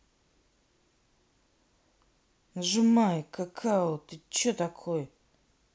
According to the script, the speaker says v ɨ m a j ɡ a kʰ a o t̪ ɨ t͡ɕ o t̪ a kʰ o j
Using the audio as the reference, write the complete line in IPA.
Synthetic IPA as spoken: ʐ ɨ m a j k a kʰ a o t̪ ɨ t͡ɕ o t̪ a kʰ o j